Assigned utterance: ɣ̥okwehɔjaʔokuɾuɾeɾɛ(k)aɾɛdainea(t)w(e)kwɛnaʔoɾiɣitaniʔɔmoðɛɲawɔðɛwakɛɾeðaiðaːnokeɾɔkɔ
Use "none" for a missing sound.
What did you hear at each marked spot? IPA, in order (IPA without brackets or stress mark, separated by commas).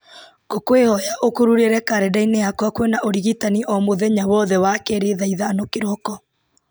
k, k, a